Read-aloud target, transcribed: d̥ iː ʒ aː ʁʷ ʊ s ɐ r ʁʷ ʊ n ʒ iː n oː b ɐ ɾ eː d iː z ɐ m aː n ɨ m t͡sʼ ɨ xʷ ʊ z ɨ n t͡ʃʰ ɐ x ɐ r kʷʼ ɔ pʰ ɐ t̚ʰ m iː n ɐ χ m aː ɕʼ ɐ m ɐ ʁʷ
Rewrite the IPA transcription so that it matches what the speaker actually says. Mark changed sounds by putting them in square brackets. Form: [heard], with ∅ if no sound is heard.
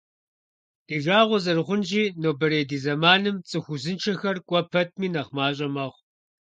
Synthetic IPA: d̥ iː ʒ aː ʁʷ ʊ [z] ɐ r ʁʷ ʊ n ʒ iː n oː b ɐ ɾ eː d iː z ɐ m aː n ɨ m t͡sʼ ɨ xʷ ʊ z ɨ n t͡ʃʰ ɐ x ɐ r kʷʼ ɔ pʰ ɐ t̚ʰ m iː n ɐ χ m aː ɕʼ ɐ m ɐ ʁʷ